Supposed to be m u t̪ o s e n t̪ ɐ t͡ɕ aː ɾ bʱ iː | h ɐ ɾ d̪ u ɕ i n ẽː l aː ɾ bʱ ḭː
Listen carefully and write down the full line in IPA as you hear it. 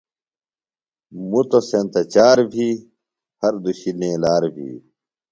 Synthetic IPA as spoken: m u t̪ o s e n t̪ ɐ t͡ɕ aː ɾ bʱ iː | h ɐ ɾ d̪ u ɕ i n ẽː l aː ɾ bʱ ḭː